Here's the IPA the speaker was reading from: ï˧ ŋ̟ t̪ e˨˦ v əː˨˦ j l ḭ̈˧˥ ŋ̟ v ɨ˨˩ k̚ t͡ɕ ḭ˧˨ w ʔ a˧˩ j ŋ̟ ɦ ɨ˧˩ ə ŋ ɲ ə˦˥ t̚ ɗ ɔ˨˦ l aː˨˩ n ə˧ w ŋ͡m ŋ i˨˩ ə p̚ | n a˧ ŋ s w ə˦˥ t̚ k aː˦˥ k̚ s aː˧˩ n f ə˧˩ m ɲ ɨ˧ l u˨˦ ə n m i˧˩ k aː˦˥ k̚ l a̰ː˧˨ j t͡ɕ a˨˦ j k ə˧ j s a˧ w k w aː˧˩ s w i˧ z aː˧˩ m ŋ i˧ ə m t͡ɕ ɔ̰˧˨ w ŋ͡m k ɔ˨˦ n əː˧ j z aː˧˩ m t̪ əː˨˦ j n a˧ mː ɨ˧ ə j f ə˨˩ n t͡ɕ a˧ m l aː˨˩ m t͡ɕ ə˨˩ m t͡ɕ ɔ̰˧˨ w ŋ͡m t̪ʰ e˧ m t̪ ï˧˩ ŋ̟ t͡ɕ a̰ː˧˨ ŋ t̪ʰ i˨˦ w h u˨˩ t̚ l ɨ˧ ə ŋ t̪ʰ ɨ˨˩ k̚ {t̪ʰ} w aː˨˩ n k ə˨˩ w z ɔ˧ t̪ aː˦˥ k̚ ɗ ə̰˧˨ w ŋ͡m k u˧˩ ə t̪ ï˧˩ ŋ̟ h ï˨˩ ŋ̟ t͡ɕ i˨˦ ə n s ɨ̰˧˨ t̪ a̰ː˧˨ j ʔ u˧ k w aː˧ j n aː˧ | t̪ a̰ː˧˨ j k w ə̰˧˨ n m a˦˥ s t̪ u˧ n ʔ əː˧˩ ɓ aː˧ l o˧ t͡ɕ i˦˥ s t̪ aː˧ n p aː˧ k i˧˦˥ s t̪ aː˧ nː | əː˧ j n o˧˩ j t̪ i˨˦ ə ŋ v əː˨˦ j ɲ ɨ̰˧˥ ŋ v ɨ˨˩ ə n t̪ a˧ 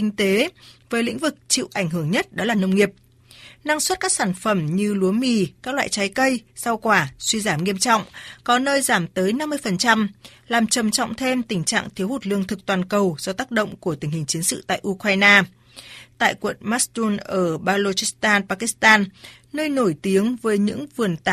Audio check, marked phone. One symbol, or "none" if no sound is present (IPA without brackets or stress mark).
t̪